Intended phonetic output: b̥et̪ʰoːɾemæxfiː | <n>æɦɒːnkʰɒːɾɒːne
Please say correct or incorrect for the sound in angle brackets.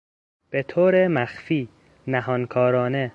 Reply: correct